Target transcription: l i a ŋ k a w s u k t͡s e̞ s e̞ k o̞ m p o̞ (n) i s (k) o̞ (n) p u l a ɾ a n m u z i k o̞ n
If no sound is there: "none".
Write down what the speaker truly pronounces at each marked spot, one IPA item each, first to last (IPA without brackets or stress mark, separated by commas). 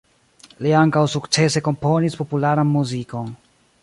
n, p, none